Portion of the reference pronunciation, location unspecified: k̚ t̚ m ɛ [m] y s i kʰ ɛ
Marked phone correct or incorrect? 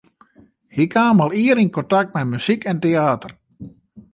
correct